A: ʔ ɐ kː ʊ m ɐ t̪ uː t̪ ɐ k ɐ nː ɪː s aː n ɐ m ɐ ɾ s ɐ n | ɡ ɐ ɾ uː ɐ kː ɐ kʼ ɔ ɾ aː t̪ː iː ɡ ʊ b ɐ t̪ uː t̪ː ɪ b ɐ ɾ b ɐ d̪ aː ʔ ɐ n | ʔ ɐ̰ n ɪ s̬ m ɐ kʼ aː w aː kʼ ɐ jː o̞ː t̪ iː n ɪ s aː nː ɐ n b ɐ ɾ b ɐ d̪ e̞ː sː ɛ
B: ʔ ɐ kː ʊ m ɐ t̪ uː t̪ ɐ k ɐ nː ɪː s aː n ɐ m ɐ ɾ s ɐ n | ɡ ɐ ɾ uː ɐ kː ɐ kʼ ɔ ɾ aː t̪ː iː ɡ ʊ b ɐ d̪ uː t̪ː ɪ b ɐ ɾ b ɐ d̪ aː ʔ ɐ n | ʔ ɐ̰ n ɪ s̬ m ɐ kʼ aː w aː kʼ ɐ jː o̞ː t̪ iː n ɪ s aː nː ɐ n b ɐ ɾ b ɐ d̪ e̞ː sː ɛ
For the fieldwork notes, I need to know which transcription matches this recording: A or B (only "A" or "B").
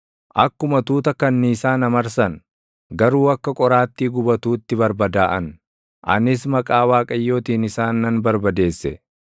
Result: A